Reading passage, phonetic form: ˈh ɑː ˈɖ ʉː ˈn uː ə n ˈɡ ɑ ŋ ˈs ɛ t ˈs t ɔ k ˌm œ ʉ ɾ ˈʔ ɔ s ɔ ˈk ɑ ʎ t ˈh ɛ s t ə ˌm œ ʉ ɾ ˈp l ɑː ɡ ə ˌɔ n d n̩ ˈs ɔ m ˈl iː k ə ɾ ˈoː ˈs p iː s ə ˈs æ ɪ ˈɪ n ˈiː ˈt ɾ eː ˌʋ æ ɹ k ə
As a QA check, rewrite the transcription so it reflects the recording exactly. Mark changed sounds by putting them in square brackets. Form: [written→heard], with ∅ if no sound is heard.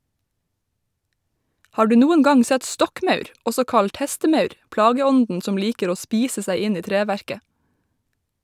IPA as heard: ˈh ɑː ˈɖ ʉː ˈn uː ə n ˈɡ ɑ ŋ ˈs ɛ t ˈs t ɔ k ˌm œ ʉ ɾ ˈʔ ɔ s ɔ ˈk ɑ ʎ t ˈh ɛ s t ə ˌm œ ʉ ɾ ˈp l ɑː ɡ ə ˌɔ n d n̩ ˈs ɔ m ˈl iː k ə ɾ ˈoː ˈs p iː s ə ˈs æ ɪ ˈɪ n ˈiː ˈt ɾ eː ˌʋ æ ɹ k ə